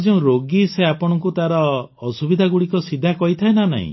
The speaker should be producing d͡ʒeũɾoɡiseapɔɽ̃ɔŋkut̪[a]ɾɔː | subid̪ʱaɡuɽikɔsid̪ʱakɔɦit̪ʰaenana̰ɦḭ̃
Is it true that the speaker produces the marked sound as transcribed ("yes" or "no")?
yes